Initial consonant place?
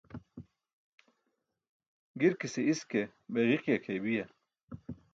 velar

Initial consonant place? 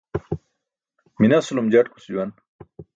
labial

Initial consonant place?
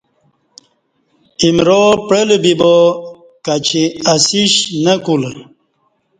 labial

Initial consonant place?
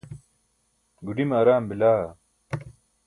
velar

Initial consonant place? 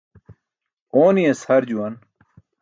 alveolar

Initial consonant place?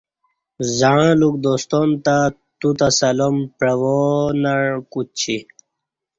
alveolar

